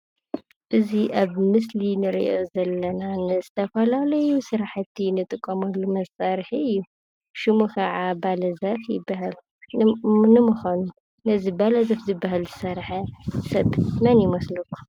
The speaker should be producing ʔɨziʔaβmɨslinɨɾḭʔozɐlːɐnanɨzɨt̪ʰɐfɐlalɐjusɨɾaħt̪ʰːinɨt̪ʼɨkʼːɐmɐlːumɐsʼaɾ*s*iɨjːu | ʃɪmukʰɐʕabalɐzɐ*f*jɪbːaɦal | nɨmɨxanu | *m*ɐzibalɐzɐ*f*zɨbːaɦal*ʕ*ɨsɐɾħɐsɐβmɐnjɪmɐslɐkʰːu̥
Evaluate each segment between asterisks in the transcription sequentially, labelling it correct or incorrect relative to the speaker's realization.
incorrect: ħ, correct, incorrect: n, correct, incorrect: z

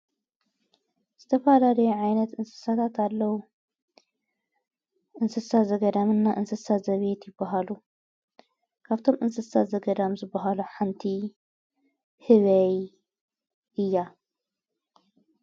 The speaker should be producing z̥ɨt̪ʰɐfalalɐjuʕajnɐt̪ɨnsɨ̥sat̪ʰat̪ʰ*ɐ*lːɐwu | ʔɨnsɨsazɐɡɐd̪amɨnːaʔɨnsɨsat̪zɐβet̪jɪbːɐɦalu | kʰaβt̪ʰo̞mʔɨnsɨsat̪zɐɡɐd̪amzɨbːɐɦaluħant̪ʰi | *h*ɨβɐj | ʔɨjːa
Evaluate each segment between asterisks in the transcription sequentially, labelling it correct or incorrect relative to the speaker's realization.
incorrect: a, correct

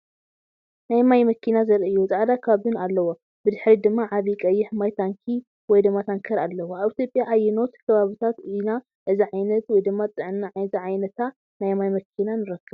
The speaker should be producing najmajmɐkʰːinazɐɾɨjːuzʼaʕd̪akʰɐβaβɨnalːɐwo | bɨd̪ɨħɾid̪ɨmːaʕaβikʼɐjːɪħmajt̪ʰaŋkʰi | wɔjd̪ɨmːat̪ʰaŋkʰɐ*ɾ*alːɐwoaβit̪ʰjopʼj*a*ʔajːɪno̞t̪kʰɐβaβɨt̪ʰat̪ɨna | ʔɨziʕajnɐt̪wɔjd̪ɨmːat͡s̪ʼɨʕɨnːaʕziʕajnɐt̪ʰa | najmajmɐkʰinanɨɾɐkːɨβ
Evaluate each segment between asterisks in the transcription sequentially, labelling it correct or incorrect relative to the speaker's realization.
correct, correct

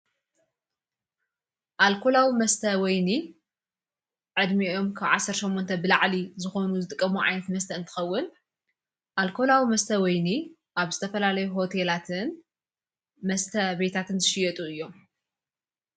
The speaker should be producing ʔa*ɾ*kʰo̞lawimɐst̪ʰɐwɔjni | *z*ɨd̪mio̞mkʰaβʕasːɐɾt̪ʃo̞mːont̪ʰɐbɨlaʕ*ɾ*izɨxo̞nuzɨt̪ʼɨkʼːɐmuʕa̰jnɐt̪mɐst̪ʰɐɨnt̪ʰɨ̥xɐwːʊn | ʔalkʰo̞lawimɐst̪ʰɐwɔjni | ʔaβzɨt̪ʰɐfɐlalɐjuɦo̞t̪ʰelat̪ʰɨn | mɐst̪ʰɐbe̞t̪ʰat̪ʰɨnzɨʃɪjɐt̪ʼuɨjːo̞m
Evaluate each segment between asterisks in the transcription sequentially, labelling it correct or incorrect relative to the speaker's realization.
incorrect: l, incorrect: ʕ, incorrect: l

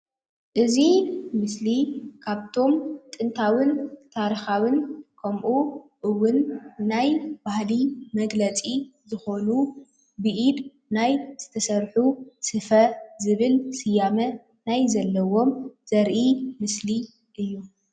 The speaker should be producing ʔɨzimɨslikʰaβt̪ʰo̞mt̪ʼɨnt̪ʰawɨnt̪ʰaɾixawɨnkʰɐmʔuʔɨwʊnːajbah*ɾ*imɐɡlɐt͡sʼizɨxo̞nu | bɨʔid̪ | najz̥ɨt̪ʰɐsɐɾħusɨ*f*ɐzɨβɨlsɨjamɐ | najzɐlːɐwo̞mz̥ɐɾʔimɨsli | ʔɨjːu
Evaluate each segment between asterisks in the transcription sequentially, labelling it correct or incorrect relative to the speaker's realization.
incorrect: l, correct

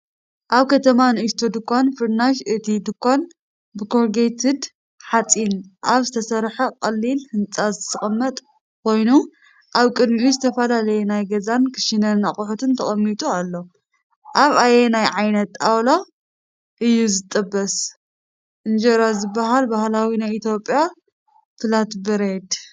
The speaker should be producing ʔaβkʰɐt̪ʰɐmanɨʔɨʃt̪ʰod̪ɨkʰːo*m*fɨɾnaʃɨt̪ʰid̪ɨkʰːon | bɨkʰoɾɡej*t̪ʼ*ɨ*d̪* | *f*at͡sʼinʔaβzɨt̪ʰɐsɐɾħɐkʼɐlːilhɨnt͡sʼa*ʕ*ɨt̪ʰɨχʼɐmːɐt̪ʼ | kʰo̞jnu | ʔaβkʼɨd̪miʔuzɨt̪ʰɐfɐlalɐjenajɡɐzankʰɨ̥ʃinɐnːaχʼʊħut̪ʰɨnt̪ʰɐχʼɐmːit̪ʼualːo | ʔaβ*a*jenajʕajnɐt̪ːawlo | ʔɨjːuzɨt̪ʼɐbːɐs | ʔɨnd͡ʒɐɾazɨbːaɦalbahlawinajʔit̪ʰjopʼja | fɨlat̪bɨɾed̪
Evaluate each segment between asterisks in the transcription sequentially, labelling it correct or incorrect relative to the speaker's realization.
incorrect: n, incorrect: t̪, correct, incorrect: ħ, incorrect: z, correct

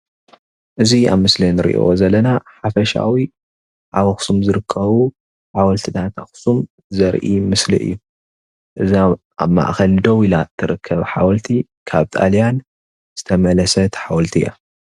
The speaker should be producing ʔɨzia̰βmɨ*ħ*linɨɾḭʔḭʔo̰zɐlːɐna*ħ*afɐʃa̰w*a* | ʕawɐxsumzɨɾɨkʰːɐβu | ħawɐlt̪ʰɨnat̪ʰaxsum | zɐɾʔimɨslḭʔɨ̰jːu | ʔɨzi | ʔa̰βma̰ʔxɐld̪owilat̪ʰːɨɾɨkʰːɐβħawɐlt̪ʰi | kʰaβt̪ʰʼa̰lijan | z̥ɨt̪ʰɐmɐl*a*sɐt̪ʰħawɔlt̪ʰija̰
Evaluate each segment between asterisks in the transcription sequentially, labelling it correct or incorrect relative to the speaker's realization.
incorrect: s, correct, incorrect: i, incorrect: ɐ

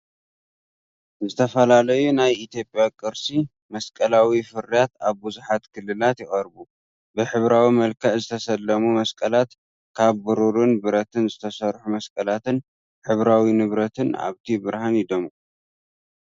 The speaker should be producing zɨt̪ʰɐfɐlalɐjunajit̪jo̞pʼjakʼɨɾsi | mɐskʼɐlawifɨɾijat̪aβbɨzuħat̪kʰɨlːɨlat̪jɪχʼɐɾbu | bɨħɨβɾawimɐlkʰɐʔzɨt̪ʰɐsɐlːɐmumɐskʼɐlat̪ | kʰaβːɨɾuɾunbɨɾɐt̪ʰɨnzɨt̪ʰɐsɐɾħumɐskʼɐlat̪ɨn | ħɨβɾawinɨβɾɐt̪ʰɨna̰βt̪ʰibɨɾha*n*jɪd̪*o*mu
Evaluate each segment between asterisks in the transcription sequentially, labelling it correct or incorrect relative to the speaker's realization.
correct, correct

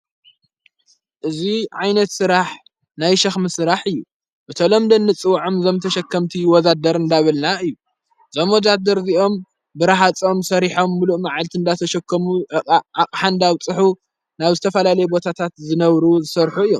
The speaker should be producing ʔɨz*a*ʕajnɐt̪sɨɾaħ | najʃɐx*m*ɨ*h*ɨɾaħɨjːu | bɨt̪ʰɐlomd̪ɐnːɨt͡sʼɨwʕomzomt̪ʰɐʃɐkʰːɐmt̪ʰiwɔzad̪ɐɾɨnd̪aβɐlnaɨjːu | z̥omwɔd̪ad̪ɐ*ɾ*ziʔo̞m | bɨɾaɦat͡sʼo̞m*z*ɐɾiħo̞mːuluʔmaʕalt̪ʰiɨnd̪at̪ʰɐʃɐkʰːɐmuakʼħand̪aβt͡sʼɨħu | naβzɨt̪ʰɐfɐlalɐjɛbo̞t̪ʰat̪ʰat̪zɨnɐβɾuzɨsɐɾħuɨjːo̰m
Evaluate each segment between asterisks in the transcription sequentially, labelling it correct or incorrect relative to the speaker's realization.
incorrect: i, correct, incorrect: s, correct, incorrect: s

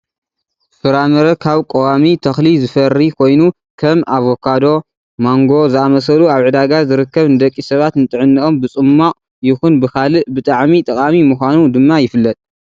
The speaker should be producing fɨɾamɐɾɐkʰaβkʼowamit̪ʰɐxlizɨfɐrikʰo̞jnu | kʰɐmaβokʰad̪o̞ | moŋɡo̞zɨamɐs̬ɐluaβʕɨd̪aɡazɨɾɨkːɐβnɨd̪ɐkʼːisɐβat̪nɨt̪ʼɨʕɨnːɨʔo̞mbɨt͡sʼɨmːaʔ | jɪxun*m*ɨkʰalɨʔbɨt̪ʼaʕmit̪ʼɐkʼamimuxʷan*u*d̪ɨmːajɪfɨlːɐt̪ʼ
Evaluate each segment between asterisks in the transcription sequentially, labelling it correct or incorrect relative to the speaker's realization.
incorrect: b, correct

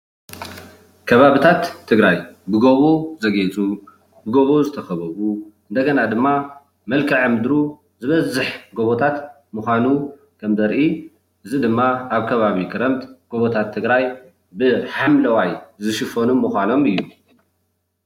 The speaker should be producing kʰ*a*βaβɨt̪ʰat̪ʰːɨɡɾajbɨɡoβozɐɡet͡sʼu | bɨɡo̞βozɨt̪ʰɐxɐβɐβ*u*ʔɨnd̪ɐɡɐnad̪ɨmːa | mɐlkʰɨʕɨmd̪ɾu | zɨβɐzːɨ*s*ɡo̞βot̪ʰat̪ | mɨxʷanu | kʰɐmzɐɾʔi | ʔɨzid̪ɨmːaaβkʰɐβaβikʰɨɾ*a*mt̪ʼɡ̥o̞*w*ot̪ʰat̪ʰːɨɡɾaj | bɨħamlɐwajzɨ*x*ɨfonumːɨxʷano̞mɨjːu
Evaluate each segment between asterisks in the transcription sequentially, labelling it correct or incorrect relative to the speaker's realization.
incorrect: ɐ, correct, incorrect: ħ, incorrect: ɐ, incorrect: β, incorrect: ʃ

